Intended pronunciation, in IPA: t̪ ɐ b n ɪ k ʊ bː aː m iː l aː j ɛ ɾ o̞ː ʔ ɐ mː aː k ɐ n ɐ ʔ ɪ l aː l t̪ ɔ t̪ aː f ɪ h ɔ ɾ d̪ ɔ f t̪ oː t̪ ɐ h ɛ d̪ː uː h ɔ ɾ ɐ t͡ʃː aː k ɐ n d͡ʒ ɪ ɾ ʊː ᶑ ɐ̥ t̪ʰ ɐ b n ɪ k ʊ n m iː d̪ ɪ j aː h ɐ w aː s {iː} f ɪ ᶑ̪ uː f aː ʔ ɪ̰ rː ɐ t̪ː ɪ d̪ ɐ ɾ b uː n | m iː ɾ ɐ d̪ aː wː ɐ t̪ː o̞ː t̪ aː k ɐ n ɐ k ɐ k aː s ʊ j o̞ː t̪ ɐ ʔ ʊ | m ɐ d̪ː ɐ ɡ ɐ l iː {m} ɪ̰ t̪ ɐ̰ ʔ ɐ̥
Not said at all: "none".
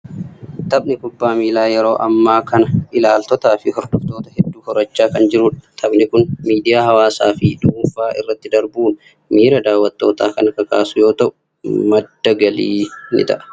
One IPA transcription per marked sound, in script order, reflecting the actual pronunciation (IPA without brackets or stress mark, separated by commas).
aː, n